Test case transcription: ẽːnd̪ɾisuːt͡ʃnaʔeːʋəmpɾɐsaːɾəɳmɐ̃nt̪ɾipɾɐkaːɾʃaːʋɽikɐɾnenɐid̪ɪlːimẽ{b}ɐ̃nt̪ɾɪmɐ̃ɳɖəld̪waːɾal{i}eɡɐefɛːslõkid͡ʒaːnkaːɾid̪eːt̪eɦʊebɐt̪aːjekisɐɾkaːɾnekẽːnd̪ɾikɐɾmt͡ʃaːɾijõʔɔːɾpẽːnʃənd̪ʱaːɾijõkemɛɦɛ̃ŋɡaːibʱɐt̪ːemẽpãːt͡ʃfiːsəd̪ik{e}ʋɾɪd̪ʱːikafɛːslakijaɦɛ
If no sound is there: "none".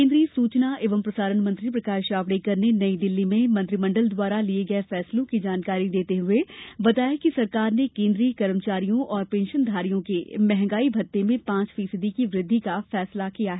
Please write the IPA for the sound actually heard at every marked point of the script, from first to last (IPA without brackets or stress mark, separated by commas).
m, i, i